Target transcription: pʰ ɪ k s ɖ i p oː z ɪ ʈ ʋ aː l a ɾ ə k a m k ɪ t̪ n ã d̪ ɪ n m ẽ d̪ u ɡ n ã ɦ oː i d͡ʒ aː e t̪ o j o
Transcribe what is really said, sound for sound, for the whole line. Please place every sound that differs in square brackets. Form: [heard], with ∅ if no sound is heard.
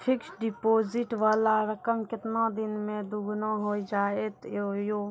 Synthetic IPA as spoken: pʰ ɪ k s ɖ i p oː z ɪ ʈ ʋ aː l a ɾ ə k [ə] m k ɪ t̪ n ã d̪ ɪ n m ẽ d̪ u ɡ n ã ɦ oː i d͡ʒ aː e t̪ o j o